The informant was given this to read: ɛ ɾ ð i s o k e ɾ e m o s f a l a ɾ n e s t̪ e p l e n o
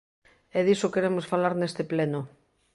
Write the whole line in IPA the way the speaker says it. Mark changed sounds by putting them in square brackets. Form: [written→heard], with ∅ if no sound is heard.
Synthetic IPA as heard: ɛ [ɾ→∅] ð i s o k e ɾ e m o s f a l a ɾ n e s t̪ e p l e n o